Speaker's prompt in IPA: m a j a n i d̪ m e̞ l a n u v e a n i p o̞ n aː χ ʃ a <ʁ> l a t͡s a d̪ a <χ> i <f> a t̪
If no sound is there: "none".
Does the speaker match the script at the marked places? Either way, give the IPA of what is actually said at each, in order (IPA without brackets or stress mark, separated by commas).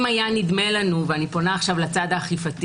v, χ, f